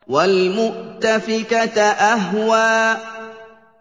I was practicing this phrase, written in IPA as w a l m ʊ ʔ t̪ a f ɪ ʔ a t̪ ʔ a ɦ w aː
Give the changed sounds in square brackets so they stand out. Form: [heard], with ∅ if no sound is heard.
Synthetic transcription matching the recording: w a l m ʊ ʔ t̪ a f ɪ [k] a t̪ ʔ a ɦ w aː

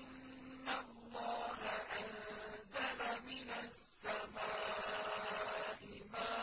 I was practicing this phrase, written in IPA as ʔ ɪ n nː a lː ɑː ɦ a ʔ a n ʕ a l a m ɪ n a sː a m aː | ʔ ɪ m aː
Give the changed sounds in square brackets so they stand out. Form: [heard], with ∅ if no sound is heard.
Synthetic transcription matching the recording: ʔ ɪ n nː a lː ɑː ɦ a ʔ a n [z] a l a m ɪ n a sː a m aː | ʔ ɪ m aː

